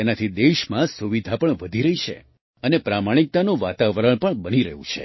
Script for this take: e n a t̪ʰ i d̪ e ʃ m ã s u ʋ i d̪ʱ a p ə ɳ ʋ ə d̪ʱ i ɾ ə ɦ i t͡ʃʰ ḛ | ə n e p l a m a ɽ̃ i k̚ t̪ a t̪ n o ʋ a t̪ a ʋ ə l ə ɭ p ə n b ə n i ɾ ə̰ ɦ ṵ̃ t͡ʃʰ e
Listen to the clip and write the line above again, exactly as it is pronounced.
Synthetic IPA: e n a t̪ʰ i d̪ e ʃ m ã s u ʋ i d̪ʱ a p ə ɳ ʋ ə d̪ʱ i ɾ ə ɦ i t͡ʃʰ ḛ | ə n e p ɾ a m a ɽ̃ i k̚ t̪ a n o ʋ a t̪ a ʋ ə ɾ ə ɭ p ə ɳ b ə n i ɾ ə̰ ɦ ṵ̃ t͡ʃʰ e

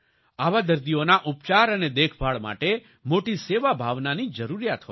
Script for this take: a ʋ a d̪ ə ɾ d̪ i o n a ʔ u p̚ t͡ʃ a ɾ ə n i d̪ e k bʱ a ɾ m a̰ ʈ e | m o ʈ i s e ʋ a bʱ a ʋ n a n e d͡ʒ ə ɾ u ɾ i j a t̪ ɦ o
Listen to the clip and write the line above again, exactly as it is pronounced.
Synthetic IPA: a ʋ a d̪ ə ɾ d̪ i o n a ʔ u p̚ t͡ʃ a ɾ ə n e d̪ e kʰ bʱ a ɭ m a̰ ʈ e | m o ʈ i s e ʋ a bʱ a ʋ n a n i d͡ʒ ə ɾ u ɾ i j a t̪ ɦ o

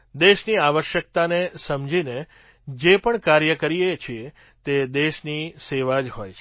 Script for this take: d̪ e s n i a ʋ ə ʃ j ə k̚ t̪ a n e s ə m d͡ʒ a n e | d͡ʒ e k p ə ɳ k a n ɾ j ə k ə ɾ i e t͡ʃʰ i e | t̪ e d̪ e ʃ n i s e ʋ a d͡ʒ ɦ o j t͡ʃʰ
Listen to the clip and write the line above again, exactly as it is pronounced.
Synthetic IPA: d̪ e ʃ n i a ʋ ə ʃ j ə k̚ t̪ a n e s ə m d͡ʒ i n e | d͡ʒ e p ə ɳ k a ɾ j ə k ə ɾ i e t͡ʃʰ i e | t̪ e d̪ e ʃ n i s e ʋ a d͡ʒ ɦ o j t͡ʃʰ

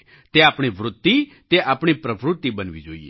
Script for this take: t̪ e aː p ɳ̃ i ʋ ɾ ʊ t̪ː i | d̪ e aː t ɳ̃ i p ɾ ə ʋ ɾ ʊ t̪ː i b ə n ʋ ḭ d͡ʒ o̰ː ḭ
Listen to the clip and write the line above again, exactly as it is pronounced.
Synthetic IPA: t̪ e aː p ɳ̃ i ʋ ɾ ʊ t̪ː i | t̪ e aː p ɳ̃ i p ɾ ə ʋ ɾ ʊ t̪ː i b ə n ʋ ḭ d͡ʒ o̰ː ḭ

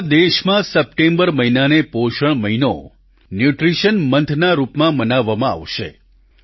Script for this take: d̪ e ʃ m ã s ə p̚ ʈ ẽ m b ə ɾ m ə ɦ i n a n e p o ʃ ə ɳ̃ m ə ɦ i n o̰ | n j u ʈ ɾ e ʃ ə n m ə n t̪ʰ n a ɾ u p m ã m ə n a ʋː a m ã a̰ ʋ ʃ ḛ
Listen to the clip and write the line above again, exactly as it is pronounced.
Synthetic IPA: d̪ e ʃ m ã s ə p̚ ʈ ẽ m b ə ɾ m ə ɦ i n a n e p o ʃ ə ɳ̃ m ə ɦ i n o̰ | n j u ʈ ɾ i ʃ ə n m ə n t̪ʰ n a ɾ u p m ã m ə n a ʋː a m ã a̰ ʋ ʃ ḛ

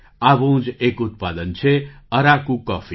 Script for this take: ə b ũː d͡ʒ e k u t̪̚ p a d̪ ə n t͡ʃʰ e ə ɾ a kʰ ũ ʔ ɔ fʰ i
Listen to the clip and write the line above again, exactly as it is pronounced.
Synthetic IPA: a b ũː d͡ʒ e k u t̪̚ p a d̪ ə n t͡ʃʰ e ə ɾ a k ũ k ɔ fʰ i

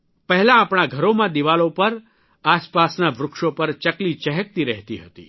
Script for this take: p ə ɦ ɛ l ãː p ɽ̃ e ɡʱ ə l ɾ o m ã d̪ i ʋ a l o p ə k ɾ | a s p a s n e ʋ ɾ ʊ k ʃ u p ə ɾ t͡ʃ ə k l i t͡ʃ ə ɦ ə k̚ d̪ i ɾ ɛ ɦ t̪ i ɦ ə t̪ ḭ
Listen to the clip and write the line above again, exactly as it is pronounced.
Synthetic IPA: p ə ɦ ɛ l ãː p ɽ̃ a ɡʱ ə ɾ o m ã d̪ i ʋ a l o p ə ɾ | a s p a s n a ʋ ɾ ʊ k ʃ o p ə ɾ t͡ʃ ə k l i t͡ʃ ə ɦ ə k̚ t̪ i ɾ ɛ ɦ t̪ i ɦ ə t̪ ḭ

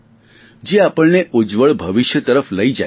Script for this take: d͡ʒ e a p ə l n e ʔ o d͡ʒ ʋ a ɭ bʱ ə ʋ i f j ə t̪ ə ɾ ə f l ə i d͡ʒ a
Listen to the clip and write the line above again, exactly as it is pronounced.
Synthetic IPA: d͡ʒ e a p ə ɭ n e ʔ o d͡ʒ ʋ ə ɭ bʱ ə ʋ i ʃ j ə t̪ ə ɾ ə f l ə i d͡ʒ a

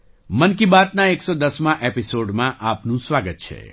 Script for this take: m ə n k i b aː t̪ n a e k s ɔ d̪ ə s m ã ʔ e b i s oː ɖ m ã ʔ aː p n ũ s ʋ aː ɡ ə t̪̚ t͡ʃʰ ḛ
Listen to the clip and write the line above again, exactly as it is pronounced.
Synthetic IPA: m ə n k i b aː t̪ n a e k s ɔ d̪ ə s m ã ʔ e p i s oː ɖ m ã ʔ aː p n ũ s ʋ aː ɡ ə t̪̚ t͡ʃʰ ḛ

